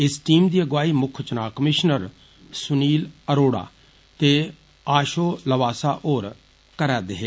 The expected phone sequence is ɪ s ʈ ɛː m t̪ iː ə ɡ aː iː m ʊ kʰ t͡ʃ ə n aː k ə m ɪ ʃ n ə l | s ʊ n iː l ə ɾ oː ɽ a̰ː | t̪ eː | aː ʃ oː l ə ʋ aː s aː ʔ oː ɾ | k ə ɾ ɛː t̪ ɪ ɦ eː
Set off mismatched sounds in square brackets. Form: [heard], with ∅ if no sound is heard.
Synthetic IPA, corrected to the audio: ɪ s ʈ [iː] m [d̪] iː ə ɡ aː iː m ʊ kʰ t͡ʃ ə n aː k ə m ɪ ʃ n ə [ɾ] | s ʊ n iː l ə ɾ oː ɽ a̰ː | t̪ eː | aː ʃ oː l ə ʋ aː s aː ʔ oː ɾ | k ə ɾ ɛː [d̪] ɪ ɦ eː